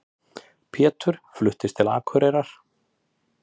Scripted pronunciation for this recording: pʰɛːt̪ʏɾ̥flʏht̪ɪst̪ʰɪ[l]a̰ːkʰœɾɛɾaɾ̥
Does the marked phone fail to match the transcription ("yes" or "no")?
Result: no